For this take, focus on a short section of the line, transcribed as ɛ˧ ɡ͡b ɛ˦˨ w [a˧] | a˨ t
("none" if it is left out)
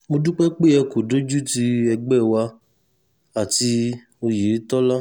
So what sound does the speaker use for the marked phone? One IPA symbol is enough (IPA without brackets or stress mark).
a˧